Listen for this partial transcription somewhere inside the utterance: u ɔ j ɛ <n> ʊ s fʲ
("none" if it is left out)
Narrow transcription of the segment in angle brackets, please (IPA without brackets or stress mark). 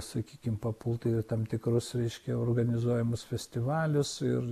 m